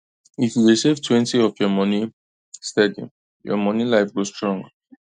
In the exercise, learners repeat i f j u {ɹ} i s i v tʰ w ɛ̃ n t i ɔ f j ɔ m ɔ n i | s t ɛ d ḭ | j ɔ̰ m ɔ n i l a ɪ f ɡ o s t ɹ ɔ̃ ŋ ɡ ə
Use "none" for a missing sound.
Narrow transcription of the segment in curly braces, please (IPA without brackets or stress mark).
ɹ